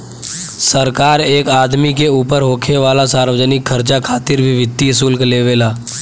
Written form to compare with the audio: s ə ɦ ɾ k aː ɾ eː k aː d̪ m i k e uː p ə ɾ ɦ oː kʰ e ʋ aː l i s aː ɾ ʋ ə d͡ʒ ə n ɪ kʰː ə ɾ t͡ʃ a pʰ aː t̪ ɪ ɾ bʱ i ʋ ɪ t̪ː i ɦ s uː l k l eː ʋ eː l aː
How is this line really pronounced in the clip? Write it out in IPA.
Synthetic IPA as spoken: s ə ɾ k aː ɾ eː k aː d̪ m i k e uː p ə ɾ ɦ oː kʰ e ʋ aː l a s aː ɾ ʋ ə d͡ʒ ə n ɪ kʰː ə ɾ t͡ʃ a kʰ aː t̪ ɪ ɾ bʱ i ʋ ɪ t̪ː i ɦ s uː l k l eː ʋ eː l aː